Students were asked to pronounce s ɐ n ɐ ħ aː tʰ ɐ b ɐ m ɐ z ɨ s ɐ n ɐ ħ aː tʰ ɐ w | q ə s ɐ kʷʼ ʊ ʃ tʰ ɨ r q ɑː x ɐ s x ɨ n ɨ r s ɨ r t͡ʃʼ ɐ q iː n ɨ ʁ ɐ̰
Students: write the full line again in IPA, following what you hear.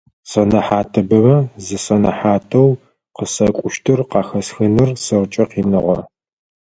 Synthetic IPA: s ɐ n ɐ ħ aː tʰ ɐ b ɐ m ɐ z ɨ s ɐ n ɐ ħ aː tʰ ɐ w | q ə s ɐ kʷʼ ʊ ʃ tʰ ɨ r q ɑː x ɐ s x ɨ n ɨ r s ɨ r t͡ʃʼ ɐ q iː n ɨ ʁ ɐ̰